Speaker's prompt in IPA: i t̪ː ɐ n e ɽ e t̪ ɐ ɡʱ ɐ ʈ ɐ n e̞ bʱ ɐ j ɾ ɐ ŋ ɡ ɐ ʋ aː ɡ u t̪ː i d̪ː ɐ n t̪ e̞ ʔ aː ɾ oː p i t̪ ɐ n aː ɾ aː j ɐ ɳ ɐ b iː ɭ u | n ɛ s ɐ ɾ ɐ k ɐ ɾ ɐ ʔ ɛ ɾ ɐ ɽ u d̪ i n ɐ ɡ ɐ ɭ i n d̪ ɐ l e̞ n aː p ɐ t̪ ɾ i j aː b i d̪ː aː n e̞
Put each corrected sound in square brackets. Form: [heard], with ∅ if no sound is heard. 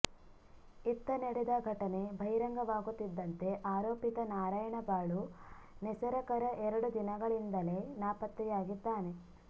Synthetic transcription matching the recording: i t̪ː ɐ n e ɽ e [d̪] ɐ ɡʱ ɐ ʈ ɐ n e̞ bʱ ɐ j ɾ ɐ ŋ ɡ ɐ ʋ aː ɡ u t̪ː i d̪ː ɐ n t̪ e̞ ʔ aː ɾ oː p i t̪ ɐ n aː ɾ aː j ɐ ɳ ɐ b [aː] ɭ u | n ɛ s ɐ ɾ ɐ k ɐ ɾ ɐ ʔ ɛ ɾ ɐ ɽ u d̪ i n ɐ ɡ ɐ ɭ i n d̪ ɐ l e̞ n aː p ɐ t̪ ɾ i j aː [ɡ] i d̪ː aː n e̞